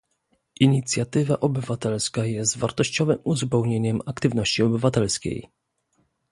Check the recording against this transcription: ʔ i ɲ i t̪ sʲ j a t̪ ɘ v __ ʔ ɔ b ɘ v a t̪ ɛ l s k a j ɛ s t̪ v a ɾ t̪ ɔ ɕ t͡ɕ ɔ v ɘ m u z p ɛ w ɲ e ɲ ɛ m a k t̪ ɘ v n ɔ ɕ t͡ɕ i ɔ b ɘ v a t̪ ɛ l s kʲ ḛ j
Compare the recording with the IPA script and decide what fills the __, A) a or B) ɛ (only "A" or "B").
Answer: A